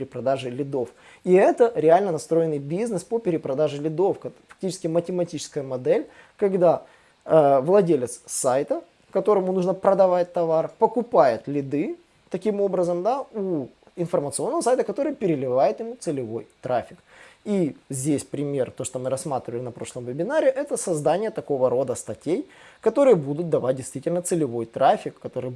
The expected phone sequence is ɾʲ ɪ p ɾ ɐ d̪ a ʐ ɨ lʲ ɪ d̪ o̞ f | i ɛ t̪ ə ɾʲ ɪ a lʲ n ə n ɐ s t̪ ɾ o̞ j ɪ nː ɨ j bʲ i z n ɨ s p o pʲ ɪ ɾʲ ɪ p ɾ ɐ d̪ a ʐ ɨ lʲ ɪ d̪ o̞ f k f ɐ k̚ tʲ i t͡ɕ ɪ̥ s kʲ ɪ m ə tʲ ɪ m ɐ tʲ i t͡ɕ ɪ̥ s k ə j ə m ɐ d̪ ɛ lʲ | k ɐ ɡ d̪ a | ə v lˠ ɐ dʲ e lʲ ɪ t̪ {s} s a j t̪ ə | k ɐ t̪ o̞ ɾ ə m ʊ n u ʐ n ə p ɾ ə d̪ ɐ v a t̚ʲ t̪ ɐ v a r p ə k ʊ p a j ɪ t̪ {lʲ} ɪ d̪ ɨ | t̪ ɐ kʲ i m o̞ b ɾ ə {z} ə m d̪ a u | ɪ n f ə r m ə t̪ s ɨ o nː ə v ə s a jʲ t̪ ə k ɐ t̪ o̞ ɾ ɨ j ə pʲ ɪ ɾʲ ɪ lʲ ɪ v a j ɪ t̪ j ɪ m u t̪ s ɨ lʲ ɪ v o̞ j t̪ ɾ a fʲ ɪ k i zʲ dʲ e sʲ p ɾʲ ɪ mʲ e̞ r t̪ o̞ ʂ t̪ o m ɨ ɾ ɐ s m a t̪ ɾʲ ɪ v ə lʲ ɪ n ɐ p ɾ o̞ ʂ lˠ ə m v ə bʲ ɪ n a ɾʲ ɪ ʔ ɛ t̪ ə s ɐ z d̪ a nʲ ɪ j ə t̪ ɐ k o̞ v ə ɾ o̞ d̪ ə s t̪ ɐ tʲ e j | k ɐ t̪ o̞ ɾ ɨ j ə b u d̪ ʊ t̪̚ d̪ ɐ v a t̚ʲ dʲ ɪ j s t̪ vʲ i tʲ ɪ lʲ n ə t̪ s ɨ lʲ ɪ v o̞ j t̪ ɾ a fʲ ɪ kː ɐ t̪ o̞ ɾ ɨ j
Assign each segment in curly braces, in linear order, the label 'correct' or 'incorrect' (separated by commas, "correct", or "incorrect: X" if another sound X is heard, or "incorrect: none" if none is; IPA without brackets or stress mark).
correct, correct, correct